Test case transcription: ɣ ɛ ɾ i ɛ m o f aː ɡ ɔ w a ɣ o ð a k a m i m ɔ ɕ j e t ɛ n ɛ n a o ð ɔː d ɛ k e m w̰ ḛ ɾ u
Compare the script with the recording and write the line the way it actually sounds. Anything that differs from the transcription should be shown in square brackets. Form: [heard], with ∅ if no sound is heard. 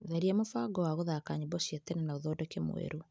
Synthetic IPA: [ð] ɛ ɾ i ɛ m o f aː ɡ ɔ w a ɣ o ð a k a [ɲ] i [b] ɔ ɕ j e t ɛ n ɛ n a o ð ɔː d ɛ k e m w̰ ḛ ɾ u